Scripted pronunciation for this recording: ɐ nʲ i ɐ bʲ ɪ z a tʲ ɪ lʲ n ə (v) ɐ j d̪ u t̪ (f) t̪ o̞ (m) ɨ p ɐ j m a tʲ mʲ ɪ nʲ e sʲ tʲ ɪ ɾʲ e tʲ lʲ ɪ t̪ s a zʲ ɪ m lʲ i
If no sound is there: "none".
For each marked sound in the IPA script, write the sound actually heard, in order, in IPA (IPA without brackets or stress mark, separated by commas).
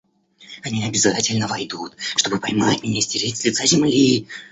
v, ʂ, b